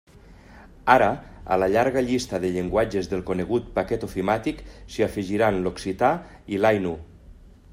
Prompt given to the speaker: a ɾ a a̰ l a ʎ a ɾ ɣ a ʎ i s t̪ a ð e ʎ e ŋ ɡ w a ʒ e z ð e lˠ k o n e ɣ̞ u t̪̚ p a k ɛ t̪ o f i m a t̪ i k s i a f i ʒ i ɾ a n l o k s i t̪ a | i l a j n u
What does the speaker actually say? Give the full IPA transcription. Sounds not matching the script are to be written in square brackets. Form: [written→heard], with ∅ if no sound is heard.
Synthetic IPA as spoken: a ɾ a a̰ l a ʎ a ɾ ɣ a ʎ i s t̪ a ð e ʎ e ŋ ɡ w a [ʒ→d͡ʒ] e z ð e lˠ k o n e ɣ̞ u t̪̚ p a k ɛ t̪ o f i m a t̪ i k s i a f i ʒ i ɾ a n l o k s i t̪ a | i l a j n u

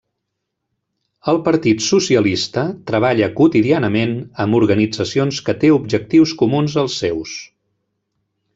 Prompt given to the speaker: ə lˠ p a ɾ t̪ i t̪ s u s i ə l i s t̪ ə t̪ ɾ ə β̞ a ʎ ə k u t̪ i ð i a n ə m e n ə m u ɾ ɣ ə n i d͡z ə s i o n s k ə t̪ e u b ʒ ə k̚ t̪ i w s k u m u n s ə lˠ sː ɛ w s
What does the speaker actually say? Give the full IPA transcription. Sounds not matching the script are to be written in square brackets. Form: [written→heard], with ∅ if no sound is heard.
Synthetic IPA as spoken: ə lˠ p [a→ə] ɾ t̪ i t̪ s u s i ə l i s t̪ ə t̪ ɾ ə β̞ a ʎ ə k u t̪ i ð i a n ə m e n ə m u ɾ ɣ ə n i d͡z ə s i o n s k ə t̪ e u b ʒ ə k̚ t̪ i w s k u m u n [s→z] ə lˠ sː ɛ w s

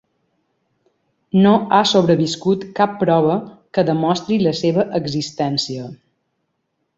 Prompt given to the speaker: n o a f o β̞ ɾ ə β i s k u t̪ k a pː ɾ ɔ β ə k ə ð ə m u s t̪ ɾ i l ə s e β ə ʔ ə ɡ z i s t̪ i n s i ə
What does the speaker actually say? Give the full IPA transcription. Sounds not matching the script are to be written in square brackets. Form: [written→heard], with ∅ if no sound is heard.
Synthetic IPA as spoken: n o a [f→s] o β̞ ɾ ə β i s k u t̪ k a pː ɾ ɔ β ə k ə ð ə m [u→ɔ] s t̪ ɾ i l ə s e β ə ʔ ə ɡ z i s t̪ [i→ɛ] n s i ə

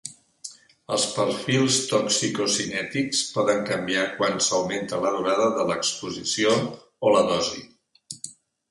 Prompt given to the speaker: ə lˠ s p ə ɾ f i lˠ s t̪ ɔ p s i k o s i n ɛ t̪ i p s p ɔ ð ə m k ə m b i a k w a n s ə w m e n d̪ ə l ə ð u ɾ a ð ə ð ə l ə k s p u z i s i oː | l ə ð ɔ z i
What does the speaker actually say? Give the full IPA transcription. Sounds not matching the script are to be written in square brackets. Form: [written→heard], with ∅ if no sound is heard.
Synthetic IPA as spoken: ə lˠ s p ə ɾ f i lˠ s t̪ ɔ [p→k] s i k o s i n ɛ t̪ i [p→k] s p ɔ ð ə [m→ŋ] k ə m b i a k w a n s ə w m e n [d̪→t̪] ə l ə ð u ɾ a ð ə ð ə l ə k s p u z i s i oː | l ə ð ɔ z i

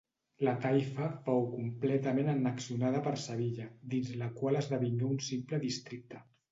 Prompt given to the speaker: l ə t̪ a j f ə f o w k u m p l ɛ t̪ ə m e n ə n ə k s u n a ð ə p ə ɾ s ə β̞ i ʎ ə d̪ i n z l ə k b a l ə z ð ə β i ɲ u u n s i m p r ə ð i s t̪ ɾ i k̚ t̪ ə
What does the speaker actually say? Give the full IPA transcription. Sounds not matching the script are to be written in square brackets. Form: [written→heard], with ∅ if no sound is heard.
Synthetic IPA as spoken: l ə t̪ a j f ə f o w k u m p l ɛ t̪ ə m e n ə n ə k s u n a ð ə p ə ɾ s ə β̞ i ʎ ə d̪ i n z l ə k [b→w] a l ə z ð ə β i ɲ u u n s i m p [r→l] ə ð i s t̪ ɾ i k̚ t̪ ə

